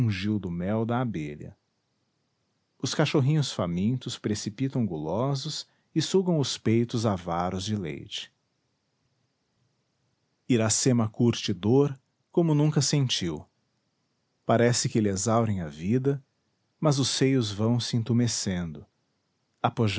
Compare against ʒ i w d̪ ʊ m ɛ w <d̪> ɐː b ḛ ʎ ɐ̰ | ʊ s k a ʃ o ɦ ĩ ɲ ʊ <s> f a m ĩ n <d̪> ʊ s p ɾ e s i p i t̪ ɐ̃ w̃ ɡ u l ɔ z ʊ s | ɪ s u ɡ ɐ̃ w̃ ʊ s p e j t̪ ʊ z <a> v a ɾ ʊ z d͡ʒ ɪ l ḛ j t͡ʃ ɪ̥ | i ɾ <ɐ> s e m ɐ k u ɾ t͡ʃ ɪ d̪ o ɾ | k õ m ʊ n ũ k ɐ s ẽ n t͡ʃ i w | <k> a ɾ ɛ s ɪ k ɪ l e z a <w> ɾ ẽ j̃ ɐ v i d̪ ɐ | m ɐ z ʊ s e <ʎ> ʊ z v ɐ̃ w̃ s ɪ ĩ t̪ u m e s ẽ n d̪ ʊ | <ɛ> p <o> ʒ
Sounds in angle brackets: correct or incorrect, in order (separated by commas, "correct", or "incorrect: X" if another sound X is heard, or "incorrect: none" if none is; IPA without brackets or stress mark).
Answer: correct, correct, incorrect: t̪, correct, incorrect: a, incorrect: p, correct, incorrect: j, incorrect: a, correct